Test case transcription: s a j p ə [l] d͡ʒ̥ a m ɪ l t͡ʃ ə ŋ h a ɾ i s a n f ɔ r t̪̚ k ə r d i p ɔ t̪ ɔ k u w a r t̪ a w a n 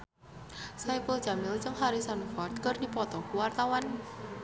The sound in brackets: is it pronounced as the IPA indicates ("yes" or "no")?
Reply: yes